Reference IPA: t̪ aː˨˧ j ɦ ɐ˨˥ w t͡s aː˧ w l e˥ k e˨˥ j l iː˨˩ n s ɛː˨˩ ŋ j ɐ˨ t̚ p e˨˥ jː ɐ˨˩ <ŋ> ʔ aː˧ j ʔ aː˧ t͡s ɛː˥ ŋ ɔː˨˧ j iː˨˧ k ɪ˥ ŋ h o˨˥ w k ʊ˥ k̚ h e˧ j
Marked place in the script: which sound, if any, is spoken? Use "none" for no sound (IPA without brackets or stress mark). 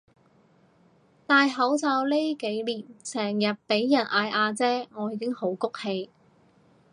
n